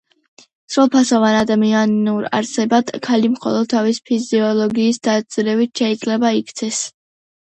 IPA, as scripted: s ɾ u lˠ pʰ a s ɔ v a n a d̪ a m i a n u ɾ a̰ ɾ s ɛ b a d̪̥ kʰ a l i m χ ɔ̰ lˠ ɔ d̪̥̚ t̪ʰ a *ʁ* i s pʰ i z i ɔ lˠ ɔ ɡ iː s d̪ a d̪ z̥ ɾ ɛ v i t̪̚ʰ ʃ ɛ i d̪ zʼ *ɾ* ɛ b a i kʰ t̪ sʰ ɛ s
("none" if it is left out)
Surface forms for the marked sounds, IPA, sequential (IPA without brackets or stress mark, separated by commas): v, l